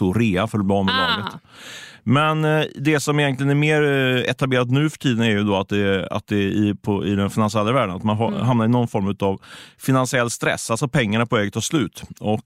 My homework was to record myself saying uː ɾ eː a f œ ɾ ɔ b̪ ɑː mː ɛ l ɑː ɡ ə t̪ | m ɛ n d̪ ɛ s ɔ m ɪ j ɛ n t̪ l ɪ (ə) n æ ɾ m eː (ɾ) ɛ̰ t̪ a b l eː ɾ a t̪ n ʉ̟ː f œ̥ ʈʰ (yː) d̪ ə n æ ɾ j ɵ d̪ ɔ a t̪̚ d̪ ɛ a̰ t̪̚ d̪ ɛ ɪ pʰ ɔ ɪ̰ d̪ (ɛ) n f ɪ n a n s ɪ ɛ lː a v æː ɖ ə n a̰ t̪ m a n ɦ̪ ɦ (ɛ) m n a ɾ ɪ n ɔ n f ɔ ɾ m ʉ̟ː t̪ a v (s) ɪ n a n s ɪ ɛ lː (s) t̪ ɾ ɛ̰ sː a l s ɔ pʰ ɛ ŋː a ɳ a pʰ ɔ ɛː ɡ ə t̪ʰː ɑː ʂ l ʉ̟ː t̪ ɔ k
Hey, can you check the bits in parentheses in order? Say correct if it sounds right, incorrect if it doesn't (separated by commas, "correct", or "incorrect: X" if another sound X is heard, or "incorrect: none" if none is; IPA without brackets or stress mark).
correct, correct, incorrect: iː, correct, incorrect: a, incorrect: f, correct